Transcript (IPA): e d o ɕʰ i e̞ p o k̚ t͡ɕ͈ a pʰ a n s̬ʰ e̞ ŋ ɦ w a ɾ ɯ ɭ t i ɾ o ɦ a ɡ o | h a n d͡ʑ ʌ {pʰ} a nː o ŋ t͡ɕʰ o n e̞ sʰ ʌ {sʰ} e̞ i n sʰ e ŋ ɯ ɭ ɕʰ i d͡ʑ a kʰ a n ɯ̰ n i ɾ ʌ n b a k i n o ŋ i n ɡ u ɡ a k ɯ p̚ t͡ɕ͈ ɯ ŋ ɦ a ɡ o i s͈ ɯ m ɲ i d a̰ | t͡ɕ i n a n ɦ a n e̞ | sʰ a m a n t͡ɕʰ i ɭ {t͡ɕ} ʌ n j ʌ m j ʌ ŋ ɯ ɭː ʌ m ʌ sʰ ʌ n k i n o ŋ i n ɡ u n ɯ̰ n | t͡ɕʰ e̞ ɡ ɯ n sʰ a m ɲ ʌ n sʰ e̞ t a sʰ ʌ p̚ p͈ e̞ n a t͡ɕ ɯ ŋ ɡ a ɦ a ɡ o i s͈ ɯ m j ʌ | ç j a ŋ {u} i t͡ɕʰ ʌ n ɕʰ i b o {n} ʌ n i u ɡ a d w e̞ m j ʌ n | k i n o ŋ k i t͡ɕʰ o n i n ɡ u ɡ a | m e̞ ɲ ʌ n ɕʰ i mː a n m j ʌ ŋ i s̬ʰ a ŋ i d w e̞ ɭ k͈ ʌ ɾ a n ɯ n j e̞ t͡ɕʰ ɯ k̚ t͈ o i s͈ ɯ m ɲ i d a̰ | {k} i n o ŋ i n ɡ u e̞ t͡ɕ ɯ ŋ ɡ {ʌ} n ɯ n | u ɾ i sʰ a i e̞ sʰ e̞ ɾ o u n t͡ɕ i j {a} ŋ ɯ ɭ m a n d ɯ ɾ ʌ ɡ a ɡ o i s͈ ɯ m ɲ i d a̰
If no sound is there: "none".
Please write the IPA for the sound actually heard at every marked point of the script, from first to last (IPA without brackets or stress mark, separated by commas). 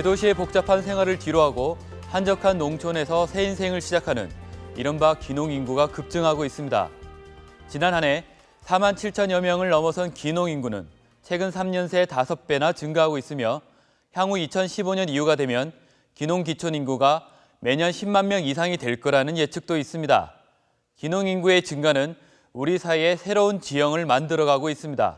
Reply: kʰ, sʰ, t͡ɕʰ, u, ɲ, k, a, ʌ